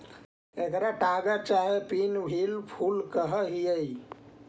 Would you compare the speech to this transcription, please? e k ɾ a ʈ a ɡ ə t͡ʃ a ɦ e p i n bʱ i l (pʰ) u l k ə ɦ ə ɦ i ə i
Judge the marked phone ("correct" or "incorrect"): correct